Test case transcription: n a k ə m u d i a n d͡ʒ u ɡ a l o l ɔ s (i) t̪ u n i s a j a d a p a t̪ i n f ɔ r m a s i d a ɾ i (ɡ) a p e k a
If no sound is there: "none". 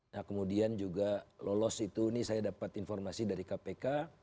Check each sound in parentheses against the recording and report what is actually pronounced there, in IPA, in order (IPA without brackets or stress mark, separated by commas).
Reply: i, k